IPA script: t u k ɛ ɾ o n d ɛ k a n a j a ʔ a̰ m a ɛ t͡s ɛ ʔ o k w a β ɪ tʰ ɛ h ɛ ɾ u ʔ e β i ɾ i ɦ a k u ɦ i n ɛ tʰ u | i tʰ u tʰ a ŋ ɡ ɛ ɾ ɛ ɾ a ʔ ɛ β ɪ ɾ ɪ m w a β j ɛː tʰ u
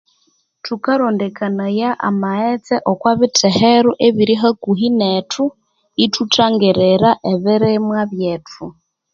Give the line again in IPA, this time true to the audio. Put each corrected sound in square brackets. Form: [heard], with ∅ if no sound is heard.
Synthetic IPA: t u k [a] ɾ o n d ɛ k a n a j a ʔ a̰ m a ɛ t͡s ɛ ʔ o k w a β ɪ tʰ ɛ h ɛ ɾ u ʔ e β i ɾ i ɦ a k u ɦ i n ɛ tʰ u | i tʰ u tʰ a ŋ ɡ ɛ ɾ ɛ ɾ a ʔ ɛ β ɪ ɾ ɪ m w a β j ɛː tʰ u